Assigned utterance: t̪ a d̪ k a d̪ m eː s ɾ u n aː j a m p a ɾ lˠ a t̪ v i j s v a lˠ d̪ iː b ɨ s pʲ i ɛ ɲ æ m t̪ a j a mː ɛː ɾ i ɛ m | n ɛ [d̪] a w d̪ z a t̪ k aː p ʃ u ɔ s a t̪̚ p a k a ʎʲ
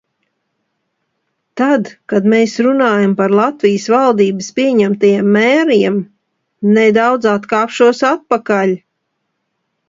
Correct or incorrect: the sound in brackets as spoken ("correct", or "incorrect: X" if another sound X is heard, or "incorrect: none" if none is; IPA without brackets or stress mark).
correct